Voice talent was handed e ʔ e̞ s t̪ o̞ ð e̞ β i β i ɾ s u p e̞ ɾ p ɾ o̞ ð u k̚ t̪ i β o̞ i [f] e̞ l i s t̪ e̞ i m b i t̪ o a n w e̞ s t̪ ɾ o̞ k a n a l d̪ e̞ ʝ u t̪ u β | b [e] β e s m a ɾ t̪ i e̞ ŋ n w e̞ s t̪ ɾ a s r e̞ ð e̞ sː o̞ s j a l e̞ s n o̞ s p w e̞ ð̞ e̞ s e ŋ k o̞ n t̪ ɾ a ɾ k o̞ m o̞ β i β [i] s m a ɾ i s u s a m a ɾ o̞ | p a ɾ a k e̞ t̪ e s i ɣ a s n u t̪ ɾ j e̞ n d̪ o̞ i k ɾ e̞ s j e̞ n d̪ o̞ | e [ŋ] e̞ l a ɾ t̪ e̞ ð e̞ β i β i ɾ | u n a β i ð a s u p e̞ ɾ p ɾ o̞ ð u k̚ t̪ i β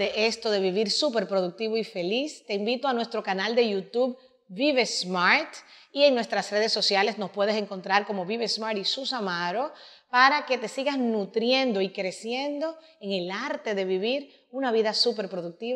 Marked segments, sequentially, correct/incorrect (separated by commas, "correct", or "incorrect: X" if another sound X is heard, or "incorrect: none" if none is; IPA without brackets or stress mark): correct, incorrect: i, incorrect: e, correct